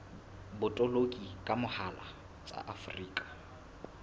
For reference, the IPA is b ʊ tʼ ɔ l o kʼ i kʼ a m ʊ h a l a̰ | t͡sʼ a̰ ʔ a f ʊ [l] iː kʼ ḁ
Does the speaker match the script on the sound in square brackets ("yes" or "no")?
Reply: no